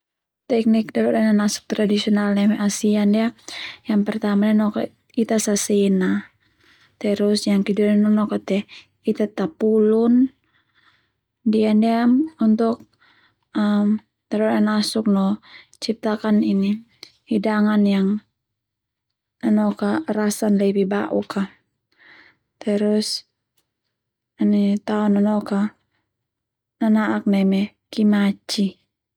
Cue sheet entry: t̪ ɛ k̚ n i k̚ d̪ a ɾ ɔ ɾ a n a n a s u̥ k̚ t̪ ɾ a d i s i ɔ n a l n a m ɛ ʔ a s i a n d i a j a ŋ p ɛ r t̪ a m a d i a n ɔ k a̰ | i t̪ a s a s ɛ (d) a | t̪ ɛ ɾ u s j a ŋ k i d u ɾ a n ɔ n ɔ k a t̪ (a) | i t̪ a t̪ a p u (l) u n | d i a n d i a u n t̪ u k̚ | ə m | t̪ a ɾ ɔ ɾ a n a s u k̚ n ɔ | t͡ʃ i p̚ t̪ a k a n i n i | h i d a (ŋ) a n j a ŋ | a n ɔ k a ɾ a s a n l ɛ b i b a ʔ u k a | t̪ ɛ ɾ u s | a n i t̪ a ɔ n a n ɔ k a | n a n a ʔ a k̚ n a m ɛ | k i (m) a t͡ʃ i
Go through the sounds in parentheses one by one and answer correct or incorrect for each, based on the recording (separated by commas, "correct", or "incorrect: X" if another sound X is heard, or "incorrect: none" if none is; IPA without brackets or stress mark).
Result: incorrect: n, incorrect: ɛ, correct, correct, correct